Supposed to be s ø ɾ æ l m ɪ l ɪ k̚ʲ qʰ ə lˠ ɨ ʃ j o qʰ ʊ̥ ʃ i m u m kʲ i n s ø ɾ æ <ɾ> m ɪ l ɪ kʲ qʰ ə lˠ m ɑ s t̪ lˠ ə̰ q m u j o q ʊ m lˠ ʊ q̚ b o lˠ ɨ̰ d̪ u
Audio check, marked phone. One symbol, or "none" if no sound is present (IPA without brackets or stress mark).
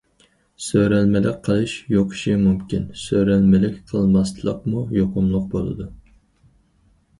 l